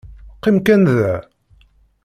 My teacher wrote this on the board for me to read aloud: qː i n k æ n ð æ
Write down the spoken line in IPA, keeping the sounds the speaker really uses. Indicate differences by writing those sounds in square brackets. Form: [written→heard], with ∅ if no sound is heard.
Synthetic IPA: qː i [n→m] k æ n ð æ